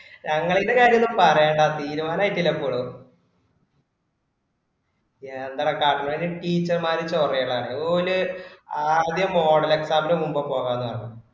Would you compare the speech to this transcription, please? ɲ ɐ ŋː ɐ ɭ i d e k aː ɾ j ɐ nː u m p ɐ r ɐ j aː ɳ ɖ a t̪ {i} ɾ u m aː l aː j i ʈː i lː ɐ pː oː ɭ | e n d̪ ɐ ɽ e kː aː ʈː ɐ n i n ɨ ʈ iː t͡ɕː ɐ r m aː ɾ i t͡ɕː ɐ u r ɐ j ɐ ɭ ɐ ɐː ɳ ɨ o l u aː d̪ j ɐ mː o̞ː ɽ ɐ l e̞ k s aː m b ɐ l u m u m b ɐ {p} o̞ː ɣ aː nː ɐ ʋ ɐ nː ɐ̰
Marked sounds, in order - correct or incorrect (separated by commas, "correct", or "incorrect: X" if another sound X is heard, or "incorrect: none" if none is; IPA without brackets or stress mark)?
incorrect: iː, correct